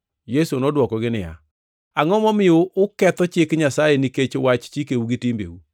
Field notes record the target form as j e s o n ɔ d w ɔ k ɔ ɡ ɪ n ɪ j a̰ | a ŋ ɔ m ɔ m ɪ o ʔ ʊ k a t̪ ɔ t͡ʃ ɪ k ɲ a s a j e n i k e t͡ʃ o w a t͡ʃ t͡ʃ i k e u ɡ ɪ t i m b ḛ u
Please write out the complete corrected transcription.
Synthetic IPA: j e s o n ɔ d w ɔ k ɔ ɡ ɪ n ɪ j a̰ | a ŋ ɔ m ɔ m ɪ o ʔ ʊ k ɛ t̪ ɔ t͡ʃ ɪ k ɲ a s a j e n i k e t͡ʃ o w a t͡ʃ t͡ʃ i k e u ɡ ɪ t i m b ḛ u